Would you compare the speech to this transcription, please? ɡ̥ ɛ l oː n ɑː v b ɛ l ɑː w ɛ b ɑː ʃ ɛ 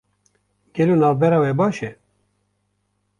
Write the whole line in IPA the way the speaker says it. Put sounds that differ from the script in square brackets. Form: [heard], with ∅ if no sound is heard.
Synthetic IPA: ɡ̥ ɛ l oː n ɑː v b ɛ [ɾ] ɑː w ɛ b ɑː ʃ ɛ